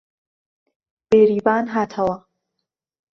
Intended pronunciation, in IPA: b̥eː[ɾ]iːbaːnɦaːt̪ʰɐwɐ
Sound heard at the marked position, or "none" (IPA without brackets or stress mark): ɾ